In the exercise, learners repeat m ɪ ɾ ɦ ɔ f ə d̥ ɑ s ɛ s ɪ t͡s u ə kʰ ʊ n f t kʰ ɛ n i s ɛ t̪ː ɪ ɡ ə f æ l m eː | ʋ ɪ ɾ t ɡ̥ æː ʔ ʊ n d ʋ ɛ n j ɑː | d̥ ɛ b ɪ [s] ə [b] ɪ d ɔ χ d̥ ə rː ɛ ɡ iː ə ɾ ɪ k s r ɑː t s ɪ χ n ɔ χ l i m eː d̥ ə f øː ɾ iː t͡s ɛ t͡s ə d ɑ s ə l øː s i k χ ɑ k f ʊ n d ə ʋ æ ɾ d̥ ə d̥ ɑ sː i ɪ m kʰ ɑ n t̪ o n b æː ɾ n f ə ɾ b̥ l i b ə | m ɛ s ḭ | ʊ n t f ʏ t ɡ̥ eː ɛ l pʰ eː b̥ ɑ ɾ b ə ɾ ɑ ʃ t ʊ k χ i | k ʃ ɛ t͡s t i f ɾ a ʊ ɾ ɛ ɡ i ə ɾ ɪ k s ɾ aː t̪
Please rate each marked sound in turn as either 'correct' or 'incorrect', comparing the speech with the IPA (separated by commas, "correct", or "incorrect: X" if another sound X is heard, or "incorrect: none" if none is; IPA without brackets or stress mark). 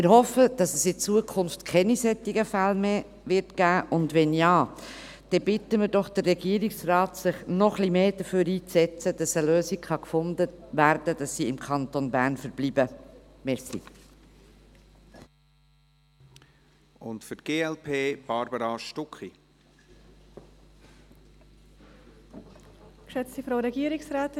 incorrect: t, incorrect: m